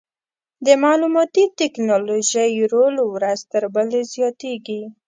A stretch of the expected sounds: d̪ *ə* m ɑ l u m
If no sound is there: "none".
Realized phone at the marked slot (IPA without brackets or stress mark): ə